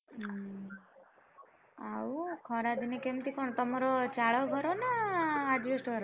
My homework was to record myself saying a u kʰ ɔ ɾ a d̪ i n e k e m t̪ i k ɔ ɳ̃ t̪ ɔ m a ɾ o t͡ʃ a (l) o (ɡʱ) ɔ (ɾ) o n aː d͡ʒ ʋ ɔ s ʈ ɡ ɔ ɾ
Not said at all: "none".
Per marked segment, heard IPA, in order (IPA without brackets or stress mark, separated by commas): ɭ, ɡʱ, ɾ